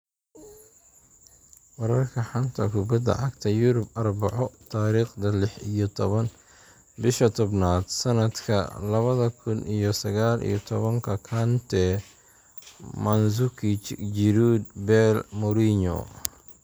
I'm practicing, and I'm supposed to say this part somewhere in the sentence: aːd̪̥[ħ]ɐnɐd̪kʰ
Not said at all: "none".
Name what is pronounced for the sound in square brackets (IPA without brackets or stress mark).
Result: s